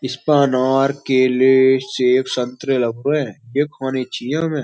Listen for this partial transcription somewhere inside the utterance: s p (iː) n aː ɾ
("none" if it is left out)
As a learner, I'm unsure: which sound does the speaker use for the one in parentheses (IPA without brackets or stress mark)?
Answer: aː